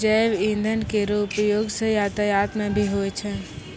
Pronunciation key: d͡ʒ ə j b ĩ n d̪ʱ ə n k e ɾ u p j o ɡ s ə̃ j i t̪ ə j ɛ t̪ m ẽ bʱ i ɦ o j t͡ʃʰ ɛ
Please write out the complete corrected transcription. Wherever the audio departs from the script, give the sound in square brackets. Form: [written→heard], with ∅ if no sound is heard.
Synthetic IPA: d͡ʒ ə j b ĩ n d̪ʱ ə n k e ɾ u p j o ɡ s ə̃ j [i→a] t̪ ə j [ɛ→a] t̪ m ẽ bʱ i ɦ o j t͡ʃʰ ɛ